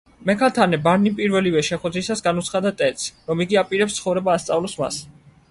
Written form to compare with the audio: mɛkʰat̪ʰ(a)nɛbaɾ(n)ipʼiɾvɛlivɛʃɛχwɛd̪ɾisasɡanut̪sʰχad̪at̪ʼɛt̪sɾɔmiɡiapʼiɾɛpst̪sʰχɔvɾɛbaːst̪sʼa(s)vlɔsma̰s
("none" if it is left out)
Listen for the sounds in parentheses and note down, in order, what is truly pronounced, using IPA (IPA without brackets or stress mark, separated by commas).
a, n, none